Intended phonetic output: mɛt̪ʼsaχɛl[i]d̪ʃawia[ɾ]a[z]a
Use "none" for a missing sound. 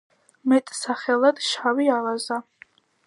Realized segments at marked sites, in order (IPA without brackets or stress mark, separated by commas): a, l, z